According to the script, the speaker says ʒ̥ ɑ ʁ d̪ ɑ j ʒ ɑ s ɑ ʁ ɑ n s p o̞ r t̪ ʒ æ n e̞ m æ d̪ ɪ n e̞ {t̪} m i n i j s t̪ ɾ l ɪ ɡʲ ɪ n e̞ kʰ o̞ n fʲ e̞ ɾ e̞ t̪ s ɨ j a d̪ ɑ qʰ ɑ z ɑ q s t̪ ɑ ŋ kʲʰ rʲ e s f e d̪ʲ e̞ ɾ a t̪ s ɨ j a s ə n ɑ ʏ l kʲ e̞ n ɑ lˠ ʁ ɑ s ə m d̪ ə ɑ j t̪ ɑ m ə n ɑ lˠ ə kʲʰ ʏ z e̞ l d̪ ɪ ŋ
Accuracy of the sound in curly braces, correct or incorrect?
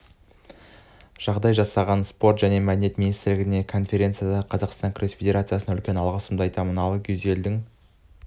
correct